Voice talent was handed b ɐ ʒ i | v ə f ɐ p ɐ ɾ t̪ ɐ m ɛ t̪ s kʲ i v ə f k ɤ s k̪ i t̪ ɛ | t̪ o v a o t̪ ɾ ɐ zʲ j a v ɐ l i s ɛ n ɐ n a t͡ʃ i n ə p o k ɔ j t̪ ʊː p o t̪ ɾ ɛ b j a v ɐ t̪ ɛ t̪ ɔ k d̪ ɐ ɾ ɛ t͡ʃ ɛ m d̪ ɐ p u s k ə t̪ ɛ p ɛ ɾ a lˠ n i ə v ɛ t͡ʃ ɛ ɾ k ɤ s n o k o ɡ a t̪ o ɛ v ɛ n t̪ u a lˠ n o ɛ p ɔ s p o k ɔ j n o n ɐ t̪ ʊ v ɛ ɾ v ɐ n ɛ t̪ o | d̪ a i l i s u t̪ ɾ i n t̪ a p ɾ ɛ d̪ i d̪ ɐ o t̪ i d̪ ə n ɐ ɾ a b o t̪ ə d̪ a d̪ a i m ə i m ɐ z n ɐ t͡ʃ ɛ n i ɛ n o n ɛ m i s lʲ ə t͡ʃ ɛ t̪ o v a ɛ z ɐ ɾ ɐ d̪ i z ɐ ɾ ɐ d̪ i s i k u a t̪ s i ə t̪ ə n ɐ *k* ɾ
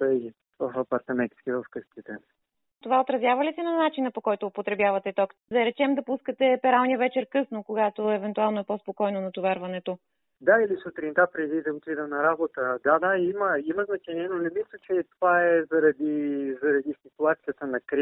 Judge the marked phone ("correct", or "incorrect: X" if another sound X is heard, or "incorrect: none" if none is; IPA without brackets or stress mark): correct